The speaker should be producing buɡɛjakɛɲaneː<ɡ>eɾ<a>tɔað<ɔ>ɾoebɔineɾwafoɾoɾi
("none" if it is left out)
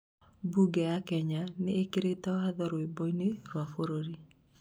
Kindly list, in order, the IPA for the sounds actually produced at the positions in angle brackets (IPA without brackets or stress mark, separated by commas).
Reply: k, e, ɔ